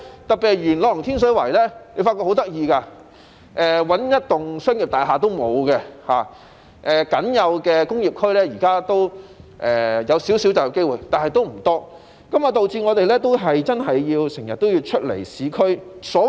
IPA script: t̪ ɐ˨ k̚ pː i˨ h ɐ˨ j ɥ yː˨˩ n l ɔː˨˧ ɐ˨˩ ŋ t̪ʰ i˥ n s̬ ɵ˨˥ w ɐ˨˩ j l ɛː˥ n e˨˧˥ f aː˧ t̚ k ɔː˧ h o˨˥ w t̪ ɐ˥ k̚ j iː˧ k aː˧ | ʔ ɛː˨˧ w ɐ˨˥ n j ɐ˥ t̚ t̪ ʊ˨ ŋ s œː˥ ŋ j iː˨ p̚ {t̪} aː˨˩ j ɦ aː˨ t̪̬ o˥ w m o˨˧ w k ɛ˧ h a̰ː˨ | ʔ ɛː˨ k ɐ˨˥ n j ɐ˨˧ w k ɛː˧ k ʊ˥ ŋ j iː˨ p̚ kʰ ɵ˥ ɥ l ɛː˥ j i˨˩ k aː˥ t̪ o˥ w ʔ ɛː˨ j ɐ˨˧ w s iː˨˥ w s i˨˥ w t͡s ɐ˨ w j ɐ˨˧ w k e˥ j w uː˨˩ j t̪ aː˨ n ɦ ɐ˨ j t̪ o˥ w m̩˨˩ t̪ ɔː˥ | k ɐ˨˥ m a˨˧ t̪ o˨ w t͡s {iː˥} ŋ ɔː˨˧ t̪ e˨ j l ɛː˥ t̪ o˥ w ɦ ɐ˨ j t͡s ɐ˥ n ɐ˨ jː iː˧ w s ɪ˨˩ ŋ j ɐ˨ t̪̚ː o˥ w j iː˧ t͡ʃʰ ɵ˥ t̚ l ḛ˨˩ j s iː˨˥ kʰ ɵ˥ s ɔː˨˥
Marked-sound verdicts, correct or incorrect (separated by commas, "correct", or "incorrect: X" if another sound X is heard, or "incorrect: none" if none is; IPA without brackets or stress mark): correct, incorrect: iː˧